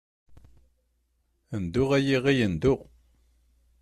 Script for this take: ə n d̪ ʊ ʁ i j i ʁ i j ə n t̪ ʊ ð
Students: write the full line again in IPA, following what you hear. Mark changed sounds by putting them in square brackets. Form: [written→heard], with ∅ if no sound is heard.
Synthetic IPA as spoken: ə n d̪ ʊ ʁ [i→æ] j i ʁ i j ə n [t̪→d̪] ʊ [ð→ʁ]